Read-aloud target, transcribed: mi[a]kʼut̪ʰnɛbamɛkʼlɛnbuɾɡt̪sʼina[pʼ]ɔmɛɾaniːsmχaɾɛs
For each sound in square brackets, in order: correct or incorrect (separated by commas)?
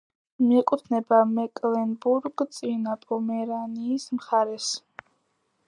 incorrect, correct